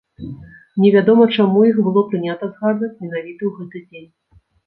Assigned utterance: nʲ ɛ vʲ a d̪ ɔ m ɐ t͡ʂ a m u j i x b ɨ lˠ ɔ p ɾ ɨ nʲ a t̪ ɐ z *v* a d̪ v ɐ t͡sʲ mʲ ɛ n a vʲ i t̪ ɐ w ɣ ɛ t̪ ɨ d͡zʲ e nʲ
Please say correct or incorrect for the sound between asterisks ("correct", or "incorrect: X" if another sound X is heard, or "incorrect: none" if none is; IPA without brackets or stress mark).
incorrect: ɣ